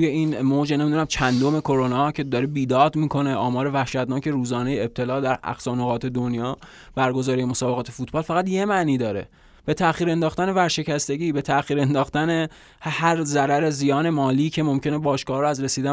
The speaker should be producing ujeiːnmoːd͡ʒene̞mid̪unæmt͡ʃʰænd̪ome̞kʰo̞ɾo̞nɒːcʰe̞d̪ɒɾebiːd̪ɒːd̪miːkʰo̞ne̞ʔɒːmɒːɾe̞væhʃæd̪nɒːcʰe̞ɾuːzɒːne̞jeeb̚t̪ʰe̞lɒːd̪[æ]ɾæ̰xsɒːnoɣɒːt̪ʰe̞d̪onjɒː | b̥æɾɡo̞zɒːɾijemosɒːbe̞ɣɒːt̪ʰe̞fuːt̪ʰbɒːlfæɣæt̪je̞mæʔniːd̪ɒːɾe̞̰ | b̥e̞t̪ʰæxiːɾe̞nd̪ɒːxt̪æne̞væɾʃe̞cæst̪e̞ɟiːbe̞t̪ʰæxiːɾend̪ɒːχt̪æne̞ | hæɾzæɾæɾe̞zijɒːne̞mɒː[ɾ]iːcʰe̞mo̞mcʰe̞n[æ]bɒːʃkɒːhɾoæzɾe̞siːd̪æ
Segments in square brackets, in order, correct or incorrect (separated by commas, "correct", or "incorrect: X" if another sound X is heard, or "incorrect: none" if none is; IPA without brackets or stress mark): correct, incorrect: l, incorrect: e